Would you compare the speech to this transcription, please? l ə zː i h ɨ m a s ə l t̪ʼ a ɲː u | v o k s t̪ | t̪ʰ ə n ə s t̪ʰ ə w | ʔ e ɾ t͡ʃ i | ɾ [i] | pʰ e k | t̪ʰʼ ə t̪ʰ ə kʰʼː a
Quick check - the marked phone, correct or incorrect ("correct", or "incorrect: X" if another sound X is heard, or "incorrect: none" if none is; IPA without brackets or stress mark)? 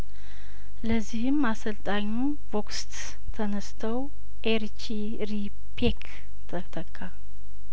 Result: correct